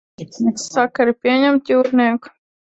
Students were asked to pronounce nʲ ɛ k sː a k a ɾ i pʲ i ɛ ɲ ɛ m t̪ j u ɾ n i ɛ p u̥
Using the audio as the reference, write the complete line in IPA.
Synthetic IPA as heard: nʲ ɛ k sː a k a ɾ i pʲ i ɛ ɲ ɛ m t̪ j uː ɾ n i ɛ k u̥